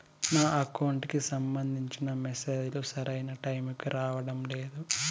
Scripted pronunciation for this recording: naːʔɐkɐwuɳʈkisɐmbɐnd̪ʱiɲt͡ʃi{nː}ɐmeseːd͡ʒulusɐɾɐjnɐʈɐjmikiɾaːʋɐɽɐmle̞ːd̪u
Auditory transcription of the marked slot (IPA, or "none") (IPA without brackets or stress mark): n